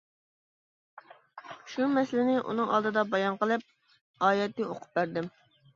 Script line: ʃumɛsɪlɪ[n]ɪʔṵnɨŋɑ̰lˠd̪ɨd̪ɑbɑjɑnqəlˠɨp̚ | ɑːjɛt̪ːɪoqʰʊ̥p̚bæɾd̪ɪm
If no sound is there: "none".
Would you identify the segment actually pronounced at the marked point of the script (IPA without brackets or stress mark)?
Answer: n